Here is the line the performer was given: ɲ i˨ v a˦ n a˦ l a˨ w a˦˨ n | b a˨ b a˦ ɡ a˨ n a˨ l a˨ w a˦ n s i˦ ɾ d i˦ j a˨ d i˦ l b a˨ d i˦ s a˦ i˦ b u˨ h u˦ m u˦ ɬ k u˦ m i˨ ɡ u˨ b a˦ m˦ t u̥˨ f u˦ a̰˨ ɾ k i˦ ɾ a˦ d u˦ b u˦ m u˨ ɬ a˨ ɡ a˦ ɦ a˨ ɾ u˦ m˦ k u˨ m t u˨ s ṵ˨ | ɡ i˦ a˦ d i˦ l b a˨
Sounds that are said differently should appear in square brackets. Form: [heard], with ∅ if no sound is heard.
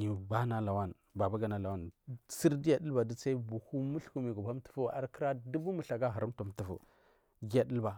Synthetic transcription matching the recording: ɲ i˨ [b] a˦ n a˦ l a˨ w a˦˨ n | b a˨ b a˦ ɡ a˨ n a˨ l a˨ w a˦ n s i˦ ɾ d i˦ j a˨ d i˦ l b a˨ d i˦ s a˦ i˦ b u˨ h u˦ m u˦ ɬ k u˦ m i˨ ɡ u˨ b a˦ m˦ t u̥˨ f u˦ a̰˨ ɾ k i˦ ɾ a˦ d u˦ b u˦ m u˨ ɬ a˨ ɡ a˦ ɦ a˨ ɾ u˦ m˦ [t] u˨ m t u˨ [f] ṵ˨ | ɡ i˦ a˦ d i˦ l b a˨